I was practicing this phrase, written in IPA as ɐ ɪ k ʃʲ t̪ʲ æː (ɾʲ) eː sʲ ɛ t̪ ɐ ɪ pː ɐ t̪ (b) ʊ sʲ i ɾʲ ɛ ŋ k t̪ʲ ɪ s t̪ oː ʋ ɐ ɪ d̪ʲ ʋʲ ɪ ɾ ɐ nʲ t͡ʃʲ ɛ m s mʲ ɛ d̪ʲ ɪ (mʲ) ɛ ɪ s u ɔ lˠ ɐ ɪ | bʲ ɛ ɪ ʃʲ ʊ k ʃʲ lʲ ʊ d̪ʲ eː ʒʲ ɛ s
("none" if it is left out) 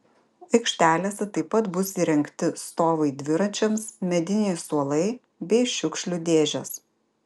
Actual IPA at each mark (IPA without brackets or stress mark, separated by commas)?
lʲ, b, nʲ